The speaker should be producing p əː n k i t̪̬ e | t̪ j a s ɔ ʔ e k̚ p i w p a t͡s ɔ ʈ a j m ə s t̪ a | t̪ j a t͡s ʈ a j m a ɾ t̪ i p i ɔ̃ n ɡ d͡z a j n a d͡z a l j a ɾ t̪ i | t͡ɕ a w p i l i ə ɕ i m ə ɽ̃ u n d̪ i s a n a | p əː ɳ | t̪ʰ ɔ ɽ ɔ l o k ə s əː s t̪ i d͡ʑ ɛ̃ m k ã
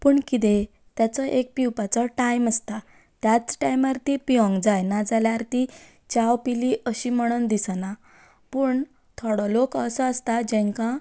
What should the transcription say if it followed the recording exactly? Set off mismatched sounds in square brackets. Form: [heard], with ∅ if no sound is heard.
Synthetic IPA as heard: p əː [ɳ] k i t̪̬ e | t̪ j a [t͡s] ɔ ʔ e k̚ p i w p a t͡s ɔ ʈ a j m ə s t̪ a | t̪ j a t͡s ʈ a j m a ɾ t̪ i p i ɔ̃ [ŋ] ɡ d͡z a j n a d͡z a l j a ɾ t̪ i | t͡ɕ a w p i l i ə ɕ i m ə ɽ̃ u n d̪ i s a n a | p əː ɳ | t̪ʰ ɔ ɽ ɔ l o k ə s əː s t̪ [a] d͡ʑ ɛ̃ [ŋ] k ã